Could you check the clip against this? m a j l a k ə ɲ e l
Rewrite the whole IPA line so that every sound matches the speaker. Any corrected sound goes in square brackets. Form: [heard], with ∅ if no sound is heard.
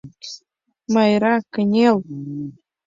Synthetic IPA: m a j [ɾ] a k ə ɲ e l